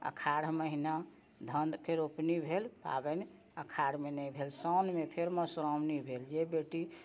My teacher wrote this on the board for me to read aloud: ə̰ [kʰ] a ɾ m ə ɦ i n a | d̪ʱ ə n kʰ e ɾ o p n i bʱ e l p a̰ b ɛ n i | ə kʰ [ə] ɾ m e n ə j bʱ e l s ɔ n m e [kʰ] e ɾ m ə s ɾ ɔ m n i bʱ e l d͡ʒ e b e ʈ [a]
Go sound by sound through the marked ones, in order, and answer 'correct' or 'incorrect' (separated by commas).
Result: correct, incorrect, incorrect, incorrect